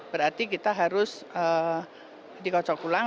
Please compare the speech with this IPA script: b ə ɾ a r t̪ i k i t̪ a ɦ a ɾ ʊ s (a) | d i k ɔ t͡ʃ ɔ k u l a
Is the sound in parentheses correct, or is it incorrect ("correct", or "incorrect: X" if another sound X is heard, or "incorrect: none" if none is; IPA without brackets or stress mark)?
incorrect: ə